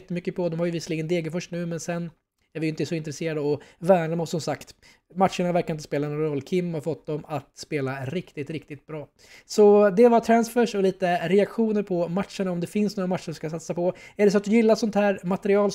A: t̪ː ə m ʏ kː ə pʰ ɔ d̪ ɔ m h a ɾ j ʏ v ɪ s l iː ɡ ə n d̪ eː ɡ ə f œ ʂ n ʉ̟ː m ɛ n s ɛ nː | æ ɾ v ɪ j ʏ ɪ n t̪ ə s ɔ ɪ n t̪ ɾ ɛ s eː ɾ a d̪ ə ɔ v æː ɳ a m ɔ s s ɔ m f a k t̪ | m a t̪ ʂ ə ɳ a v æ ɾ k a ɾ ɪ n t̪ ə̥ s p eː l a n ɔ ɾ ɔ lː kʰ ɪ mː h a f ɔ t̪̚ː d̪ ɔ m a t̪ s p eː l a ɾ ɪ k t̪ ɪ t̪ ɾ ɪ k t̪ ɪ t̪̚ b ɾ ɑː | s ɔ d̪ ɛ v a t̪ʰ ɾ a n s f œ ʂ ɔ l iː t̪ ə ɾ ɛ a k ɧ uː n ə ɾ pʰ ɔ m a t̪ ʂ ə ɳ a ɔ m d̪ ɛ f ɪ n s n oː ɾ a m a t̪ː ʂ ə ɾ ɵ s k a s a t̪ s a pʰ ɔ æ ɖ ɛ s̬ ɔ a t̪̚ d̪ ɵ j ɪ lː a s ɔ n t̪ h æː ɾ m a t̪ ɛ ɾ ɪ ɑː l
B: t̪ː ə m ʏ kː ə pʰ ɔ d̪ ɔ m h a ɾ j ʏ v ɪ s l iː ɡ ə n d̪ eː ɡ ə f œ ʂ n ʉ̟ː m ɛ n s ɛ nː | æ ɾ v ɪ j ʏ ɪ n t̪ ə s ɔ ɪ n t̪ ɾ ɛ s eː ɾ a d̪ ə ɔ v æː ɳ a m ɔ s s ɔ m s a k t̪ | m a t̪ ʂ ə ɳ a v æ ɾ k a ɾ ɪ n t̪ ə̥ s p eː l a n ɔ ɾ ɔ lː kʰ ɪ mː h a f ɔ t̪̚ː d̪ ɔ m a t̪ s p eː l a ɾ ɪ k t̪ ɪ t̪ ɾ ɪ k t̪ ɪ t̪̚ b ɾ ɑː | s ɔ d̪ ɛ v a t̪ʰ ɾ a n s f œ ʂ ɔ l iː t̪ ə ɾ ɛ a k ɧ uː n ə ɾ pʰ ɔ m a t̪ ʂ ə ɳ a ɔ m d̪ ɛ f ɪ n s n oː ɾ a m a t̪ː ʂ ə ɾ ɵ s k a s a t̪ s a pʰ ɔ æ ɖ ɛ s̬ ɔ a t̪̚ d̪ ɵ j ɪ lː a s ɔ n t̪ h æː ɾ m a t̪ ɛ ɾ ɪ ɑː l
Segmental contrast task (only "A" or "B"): B